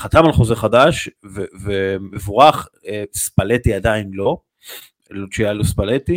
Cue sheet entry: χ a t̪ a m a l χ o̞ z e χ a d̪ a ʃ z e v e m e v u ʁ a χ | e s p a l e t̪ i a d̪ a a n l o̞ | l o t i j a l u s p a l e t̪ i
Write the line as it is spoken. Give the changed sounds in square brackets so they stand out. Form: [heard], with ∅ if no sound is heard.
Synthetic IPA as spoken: χ a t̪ a m a l χ o̞ z e χ a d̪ a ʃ [v] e v e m e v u ʁ a χ | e s p a l e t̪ i a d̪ a [i] n l o̞ | l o [t͡ʃ] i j a l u s p a l e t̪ i